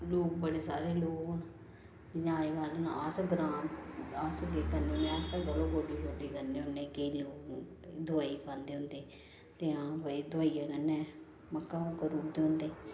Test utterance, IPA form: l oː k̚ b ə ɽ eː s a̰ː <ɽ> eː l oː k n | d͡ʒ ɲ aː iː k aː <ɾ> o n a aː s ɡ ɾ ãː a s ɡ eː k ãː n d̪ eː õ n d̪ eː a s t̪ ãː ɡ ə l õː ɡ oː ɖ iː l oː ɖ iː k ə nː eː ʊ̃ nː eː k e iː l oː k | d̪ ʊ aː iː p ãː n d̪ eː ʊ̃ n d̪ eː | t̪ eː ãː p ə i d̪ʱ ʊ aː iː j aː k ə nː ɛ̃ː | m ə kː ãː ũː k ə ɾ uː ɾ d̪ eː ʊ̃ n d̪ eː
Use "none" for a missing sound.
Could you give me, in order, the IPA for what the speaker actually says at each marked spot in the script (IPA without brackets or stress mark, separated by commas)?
ɾ, l